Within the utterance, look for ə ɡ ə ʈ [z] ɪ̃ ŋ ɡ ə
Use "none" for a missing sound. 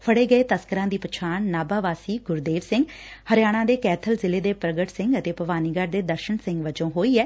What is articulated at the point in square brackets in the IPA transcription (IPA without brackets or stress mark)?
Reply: s